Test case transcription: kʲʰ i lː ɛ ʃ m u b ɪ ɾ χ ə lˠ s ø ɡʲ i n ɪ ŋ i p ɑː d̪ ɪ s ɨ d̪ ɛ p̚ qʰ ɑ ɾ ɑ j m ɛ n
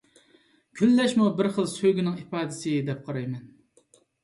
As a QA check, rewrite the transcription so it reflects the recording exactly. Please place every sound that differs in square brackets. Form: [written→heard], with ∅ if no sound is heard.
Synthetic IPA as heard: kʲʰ [i→y] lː ɛ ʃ m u b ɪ ɾ χ ə lˠ s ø ɡʲ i n ɪ ŋ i p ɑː d̪ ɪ s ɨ d̪ ɛ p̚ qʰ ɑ ɾ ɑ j m ɛ n